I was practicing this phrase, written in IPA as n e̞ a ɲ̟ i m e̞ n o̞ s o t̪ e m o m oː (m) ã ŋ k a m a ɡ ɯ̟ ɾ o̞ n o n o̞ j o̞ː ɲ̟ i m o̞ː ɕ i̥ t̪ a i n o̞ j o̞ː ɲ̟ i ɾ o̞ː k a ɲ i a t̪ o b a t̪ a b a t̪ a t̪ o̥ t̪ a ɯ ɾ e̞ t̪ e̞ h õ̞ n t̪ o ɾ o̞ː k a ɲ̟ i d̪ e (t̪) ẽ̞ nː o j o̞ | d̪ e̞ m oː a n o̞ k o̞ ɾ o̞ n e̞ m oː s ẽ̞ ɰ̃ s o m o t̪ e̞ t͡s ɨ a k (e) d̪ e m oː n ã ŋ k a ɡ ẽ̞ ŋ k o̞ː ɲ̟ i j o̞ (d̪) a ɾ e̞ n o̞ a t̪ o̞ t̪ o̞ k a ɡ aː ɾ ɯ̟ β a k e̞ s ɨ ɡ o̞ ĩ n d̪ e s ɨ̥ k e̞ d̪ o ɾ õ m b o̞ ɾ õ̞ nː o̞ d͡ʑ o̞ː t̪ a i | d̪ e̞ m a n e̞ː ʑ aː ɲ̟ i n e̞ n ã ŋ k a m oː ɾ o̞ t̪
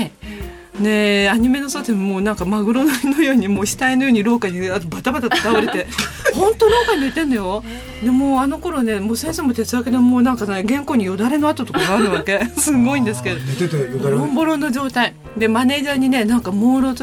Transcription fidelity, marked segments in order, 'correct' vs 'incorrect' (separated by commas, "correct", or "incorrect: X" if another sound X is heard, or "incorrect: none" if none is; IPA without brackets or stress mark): incorrect: n, correct, correct, correct